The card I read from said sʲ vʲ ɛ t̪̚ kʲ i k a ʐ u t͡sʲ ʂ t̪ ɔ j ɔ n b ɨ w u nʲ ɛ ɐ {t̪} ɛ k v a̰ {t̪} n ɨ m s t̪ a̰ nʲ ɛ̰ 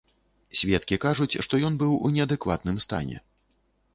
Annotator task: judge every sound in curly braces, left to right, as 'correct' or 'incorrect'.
incorrect, correct

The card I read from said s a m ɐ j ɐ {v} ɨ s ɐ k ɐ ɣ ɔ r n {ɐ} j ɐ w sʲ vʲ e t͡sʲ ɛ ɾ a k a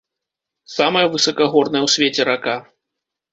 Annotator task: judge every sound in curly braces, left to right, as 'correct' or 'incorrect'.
correct, correct

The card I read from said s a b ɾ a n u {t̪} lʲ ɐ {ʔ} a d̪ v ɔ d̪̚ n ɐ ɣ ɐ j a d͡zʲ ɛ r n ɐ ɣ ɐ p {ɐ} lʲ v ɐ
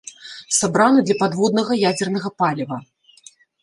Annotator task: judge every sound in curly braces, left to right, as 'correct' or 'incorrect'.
incorrect, incorrect, incorrect

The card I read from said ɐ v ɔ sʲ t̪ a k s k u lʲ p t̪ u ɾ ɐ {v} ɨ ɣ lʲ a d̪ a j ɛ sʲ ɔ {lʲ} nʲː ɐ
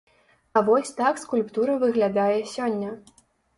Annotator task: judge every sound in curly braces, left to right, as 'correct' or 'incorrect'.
correct, incorrect

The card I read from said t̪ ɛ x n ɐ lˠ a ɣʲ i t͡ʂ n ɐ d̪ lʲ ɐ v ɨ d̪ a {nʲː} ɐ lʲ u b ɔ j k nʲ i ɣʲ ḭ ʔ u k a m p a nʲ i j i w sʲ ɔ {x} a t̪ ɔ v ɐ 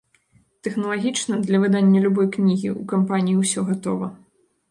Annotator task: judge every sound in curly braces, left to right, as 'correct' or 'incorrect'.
correct, incorrect

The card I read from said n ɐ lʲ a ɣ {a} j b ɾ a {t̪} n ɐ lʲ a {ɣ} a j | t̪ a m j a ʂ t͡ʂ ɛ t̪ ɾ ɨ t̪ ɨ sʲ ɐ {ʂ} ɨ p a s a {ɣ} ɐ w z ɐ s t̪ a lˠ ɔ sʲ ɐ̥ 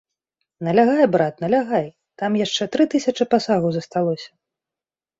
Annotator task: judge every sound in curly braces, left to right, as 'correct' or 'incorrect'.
correct, correct, correct, incorrect, correct

